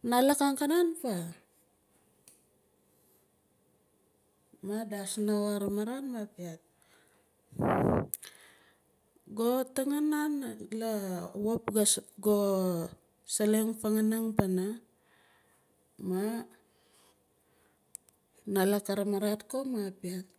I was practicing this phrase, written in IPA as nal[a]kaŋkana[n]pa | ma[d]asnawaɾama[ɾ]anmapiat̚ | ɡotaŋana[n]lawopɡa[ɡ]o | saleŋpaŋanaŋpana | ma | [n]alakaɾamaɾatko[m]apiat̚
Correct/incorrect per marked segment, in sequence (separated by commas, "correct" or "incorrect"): correct, correct, correct, correct, correct, correct, correct, correct